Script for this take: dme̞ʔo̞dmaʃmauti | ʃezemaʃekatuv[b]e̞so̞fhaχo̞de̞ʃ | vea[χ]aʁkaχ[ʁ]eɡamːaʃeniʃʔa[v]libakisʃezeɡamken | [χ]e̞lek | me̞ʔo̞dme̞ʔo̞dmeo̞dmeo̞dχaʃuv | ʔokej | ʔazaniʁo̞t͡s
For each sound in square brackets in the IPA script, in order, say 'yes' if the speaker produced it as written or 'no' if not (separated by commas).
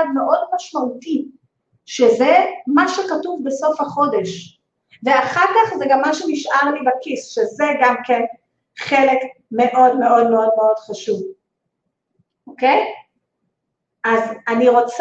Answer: yes, yes, no, no, yes